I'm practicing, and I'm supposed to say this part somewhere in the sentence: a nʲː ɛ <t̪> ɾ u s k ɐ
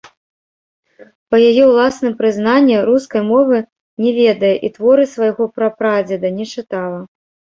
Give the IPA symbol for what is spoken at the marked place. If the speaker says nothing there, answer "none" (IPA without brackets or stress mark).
none